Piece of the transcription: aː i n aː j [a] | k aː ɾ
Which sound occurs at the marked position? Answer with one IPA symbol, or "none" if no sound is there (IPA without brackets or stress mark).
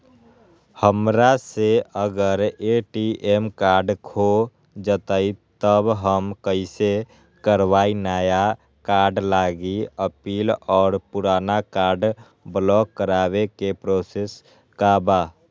a